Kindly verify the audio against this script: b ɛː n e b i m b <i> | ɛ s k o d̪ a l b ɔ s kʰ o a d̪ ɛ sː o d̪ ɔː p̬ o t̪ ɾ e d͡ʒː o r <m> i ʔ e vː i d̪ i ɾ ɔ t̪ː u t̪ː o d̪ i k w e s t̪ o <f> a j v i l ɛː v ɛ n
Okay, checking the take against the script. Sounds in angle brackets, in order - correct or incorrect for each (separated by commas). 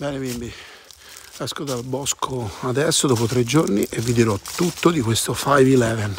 correct, incorrect, correct